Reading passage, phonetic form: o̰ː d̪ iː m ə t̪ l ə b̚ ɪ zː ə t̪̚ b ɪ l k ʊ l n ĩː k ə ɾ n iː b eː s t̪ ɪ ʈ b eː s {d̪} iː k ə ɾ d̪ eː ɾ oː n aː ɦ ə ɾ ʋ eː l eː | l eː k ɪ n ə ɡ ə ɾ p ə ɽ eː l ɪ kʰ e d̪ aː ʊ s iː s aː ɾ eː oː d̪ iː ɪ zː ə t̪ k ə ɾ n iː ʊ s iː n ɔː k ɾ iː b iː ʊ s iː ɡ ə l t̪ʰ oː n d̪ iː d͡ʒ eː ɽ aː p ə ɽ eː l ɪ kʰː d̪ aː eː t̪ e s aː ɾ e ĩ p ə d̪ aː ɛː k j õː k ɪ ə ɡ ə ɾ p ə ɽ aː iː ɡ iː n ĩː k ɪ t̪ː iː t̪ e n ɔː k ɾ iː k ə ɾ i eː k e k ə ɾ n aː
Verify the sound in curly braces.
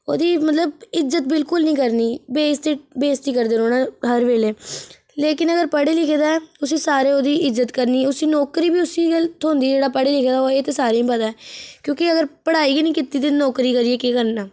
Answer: incorrect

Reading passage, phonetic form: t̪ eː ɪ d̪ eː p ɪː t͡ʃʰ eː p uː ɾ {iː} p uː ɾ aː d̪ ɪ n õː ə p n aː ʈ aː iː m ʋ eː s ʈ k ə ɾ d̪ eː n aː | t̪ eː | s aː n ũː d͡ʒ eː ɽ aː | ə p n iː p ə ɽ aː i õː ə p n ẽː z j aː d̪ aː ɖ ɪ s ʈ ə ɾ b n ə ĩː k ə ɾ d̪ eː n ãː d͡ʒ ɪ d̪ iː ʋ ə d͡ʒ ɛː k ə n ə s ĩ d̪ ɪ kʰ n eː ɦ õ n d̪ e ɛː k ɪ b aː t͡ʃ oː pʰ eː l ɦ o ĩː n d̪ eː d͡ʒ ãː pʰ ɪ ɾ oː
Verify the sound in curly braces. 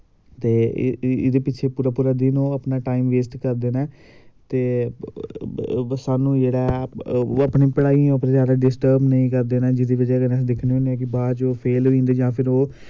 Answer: incorrect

